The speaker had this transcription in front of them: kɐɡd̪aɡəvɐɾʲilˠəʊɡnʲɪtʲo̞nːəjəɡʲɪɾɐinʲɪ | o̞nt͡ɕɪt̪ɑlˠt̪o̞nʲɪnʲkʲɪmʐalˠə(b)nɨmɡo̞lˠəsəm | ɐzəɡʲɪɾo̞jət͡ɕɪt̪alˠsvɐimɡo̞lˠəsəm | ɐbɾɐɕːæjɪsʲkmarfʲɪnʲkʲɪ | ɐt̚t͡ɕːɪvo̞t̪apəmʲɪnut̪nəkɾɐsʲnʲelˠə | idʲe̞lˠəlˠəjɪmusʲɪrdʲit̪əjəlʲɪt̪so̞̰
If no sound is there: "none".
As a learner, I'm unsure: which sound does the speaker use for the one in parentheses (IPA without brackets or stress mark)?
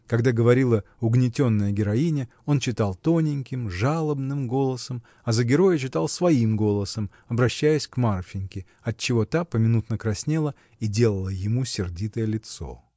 b